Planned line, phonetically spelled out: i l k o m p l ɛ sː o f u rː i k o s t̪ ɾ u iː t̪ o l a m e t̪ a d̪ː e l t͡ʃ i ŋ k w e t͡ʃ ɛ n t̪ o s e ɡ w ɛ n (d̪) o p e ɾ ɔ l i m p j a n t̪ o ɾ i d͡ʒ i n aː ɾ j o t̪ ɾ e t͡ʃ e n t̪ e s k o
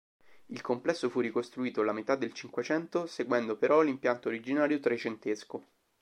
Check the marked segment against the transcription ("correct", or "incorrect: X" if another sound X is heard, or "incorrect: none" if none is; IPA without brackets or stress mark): correct